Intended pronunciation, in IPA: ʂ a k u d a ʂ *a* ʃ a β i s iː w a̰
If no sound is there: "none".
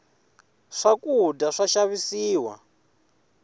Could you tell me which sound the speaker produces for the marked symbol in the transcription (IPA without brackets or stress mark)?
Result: a